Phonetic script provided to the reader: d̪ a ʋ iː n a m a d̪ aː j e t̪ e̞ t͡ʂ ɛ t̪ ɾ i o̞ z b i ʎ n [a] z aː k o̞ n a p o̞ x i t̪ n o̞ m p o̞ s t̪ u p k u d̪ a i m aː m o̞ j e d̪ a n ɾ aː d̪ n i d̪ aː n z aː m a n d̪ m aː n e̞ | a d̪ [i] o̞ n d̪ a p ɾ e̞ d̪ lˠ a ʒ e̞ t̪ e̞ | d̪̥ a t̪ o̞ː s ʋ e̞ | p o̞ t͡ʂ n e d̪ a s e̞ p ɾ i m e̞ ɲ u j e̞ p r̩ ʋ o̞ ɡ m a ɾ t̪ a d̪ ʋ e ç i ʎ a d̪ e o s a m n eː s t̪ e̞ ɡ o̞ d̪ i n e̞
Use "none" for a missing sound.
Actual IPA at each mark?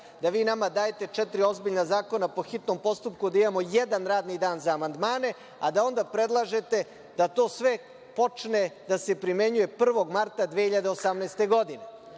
a, a

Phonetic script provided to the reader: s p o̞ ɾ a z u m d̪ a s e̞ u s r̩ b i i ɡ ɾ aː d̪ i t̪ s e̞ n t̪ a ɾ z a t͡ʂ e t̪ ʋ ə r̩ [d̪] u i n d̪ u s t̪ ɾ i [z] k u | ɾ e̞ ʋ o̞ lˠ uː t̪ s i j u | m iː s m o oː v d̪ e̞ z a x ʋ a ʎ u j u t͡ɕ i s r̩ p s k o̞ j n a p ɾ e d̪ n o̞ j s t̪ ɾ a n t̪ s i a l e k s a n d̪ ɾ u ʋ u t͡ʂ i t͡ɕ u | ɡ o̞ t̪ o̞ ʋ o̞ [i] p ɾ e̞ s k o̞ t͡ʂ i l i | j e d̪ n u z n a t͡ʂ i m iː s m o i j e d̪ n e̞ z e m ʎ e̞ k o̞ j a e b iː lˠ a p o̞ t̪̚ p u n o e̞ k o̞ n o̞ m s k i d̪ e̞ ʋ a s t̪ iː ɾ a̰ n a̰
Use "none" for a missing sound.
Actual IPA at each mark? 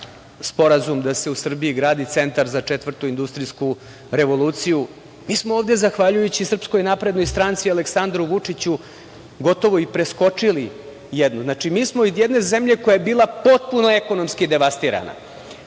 t̪, s, i

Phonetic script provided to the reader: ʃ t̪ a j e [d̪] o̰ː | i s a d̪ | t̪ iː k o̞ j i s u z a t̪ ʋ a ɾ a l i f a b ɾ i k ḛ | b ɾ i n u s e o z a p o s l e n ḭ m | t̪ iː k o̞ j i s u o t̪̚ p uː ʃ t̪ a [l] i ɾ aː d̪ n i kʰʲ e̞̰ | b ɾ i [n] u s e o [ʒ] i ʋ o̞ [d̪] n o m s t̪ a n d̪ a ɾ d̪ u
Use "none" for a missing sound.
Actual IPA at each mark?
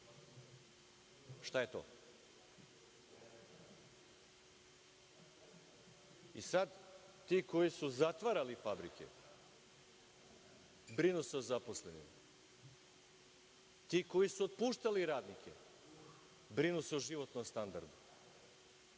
t̪, l, n, ʒ, t̪

